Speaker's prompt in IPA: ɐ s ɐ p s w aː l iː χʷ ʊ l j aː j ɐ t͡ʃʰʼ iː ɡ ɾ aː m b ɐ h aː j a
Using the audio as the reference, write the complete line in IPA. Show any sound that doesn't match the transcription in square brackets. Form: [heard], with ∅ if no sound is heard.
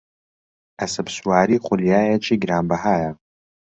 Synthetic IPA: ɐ s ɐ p s w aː [ɾ] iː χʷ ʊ l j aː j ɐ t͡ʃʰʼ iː ɡ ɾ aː m b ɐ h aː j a